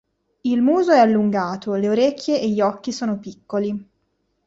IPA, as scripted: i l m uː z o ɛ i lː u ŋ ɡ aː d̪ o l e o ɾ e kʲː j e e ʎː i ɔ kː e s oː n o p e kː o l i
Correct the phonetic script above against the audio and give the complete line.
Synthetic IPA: i l m uː z o ɛ a lː u ŋ ɡ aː t̪ o l e o ɾ e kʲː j e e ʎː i ɔ kː i s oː n o p i kː o l i